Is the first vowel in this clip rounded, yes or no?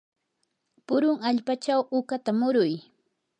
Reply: yes